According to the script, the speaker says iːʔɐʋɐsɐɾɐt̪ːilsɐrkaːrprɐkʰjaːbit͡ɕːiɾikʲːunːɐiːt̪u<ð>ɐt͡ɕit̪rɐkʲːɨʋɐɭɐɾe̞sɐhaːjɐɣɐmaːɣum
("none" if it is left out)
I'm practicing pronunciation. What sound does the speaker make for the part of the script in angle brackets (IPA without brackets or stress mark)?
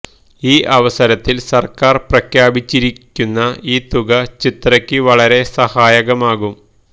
ɣ